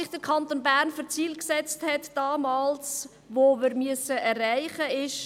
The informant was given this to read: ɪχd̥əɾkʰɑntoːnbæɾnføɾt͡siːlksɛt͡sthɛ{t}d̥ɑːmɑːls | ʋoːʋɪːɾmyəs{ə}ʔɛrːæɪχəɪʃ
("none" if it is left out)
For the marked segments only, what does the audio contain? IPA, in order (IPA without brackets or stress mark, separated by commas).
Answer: t, ə